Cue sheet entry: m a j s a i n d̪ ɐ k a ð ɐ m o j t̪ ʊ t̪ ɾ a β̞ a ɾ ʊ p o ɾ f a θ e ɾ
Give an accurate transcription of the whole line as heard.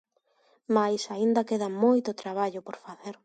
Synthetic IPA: m a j s a i n d̪ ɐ k e ð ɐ m o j t̪ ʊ t̪ ɾ a β̞ a ʎ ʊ p o ɾ f a θ e ɾ